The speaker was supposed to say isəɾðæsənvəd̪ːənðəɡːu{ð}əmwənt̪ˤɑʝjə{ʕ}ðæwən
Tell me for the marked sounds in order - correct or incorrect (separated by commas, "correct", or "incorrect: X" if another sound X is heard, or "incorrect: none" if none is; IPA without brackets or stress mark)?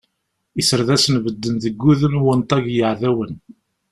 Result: correct, correct